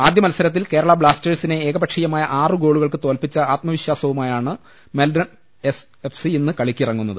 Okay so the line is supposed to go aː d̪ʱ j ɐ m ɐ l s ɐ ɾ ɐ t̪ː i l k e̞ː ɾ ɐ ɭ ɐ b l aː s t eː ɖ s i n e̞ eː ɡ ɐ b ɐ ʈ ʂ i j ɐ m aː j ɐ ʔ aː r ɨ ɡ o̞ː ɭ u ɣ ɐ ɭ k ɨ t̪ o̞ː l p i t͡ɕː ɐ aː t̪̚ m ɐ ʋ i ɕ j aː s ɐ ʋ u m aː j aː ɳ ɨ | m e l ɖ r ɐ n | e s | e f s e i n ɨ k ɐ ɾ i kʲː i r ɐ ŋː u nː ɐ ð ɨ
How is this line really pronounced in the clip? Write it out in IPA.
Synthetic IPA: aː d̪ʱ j ɐ m ɐ l s ɐ ɾ ɐ t̪ː i l k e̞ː ɾ ɐ ɭ ɐ b ɭ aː s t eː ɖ s i n e̞ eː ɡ ɐ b ɐ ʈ ʂ i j ɐ m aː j ɐ ʔ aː r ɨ ɡ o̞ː ɭ u ɣ ɐ ɭ k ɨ t̪ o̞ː l p i t͡ɕː ɐ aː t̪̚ m ɐ ʋ i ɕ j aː s ɐ ʋ u m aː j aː ɳ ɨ | m e l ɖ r ɐ n | e s | e f s i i nː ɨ k ɐ ɭ i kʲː i r ɐ ŋː u nː ɐ ð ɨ